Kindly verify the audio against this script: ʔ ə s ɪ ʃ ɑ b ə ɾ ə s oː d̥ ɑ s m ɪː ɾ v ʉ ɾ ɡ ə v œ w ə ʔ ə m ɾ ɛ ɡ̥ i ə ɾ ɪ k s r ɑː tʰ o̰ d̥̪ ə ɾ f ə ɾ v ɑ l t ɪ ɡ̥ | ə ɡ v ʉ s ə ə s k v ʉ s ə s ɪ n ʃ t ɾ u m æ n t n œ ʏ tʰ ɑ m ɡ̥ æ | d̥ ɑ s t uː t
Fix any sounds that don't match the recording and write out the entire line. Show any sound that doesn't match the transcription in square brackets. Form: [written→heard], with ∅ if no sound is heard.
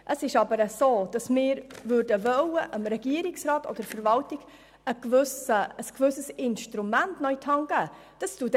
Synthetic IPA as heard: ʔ ə s ɪ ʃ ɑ b ə ɾ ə s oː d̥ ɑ s m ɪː ɾ v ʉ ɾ [ɡ→d] ə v œ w ə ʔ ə m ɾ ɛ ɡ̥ i ə ɾ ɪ k s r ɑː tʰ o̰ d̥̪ ə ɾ f ə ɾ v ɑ l t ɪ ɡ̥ | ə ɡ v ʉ s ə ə s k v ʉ s ə s ɪ n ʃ t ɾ u m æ n t n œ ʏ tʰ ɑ [m→ŋ] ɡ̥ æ | d̥ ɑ s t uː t